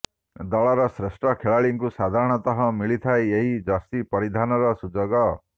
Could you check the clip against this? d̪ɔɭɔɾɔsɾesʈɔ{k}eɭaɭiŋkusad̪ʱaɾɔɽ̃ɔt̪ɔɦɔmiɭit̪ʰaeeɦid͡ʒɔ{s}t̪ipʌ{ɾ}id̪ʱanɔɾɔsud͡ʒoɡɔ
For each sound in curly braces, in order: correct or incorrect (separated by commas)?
incorrect, correct, correct